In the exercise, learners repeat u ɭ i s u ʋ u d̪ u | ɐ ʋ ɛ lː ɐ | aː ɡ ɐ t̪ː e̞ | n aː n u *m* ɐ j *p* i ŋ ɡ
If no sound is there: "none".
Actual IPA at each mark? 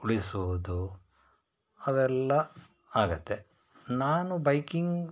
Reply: b, k

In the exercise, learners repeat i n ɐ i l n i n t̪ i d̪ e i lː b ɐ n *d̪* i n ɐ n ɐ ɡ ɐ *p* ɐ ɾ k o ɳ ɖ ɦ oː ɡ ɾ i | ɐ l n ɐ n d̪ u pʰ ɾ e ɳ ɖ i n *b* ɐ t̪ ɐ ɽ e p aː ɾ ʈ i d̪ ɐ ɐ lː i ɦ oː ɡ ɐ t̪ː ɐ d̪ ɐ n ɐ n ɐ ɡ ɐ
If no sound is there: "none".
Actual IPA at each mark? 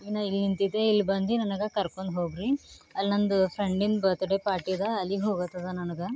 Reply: d̪, k, b

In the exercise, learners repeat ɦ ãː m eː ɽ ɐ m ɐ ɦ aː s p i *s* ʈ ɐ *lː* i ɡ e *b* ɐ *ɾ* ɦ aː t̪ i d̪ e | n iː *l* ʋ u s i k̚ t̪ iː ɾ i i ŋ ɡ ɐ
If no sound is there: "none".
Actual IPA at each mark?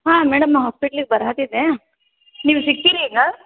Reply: none, l, b, ɾ, none

